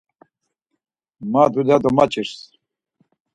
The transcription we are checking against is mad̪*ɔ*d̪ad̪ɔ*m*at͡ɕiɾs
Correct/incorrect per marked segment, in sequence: incorrect: u, correct

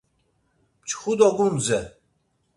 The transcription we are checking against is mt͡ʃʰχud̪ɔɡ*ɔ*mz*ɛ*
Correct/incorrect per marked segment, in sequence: incorrect: u, correct

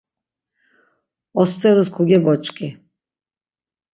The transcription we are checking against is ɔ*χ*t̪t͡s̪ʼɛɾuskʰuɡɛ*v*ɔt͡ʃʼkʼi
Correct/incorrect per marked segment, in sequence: incorrect: s, incorrect: b

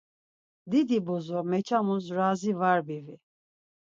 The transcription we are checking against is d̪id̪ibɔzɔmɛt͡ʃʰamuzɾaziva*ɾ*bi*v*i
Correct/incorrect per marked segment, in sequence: correct, correct

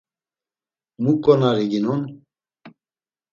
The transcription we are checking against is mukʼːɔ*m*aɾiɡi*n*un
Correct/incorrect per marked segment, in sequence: incorrect: n, correct

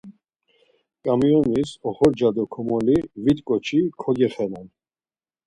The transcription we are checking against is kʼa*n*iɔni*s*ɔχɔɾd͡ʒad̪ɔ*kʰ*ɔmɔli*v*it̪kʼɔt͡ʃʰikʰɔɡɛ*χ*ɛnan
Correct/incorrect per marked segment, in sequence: incorrect: m, correct, correct, correct, correct

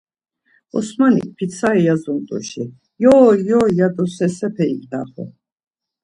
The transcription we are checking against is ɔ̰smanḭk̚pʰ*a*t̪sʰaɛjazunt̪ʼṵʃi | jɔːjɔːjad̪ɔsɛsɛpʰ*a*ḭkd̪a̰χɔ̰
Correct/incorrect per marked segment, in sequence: incorrect: i, incorrect: ɛ

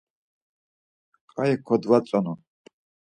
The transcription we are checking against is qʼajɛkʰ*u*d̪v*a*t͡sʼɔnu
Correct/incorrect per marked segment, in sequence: incorrect: ɔ, correct

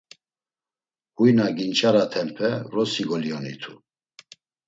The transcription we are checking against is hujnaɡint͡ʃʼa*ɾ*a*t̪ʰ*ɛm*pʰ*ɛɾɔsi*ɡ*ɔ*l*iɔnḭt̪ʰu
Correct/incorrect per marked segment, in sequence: correct, correct, correct, correct, correct

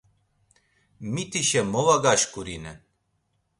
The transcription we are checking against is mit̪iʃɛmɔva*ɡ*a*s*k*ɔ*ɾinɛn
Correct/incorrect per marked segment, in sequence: correct, incorrect: ʃ, incorrect: u

